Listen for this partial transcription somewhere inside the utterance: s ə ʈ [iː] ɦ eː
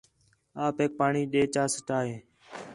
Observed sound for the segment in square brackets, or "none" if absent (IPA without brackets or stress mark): aː